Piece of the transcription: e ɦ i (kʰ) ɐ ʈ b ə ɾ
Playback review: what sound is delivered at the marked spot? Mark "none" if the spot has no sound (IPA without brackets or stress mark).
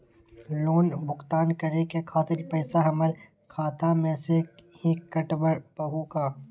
k